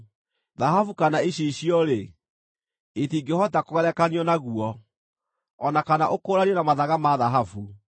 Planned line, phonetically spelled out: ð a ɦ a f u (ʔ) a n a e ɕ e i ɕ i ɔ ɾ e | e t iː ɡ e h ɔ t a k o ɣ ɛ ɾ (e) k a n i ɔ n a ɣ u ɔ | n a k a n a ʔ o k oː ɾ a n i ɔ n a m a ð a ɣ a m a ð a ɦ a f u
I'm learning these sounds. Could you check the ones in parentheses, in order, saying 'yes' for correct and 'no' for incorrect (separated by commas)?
no, no